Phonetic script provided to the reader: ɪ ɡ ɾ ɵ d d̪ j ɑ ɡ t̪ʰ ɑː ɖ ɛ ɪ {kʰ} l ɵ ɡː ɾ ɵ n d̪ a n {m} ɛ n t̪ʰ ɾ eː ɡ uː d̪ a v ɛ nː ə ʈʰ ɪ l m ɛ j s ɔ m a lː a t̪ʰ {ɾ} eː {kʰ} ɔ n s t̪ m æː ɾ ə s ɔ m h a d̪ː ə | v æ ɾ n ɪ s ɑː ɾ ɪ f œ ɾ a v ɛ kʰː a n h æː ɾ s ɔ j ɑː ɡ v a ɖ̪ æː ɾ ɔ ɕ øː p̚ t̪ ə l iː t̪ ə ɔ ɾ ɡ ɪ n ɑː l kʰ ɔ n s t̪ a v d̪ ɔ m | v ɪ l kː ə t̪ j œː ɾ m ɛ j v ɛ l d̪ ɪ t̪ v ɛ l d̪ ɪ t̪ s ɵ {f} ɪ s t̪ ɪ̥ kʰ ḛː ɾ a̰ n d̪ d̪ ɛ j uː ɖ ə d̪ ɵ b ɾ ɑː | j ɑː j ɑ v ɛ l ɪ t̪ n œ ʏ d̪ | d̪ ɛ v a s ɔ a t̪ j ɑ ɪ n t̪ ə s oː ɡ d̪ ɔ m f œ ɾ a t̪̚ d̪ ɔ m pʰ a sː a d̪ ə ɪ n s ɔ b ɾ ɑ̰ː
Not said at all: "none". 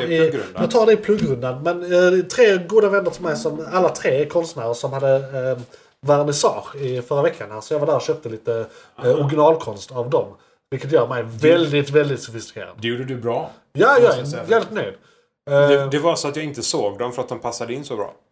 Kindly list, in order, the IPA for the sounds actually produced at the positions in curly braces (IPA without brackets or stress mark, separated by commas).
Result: pʰ, m, ɾ, kʰ, f